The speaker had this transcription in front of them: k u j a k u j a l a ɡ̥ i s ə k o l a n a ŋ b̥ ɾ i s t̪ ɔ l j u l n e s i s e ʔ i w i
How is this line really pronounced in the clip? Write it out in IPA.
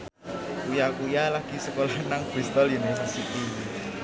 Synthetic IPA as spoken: k u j a k u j a l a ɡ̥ i s ə k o l a n a ŋ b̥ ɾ i s t̪ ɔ l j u n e s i s i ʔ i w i